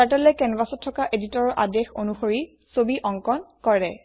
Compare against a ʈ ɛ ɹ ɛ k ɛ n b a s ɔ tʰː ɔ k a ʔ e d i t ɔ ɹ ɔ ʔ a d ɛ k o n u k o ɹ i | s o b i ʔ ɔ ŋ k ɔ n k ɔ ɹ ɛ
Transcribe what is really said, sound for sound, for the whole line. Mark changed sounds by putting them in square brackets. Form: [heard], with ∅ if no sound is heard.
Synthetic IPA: a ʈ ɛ [l] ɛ k ɛ n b a s ɔ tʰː ɔ k a ʔ e d i t ɔ ɹ ɔ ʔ a d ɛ [x] o n u [x] o ɹ i | s o b i ʔ ɔ ŋ k ɔ n k ɔ ɹ ɛ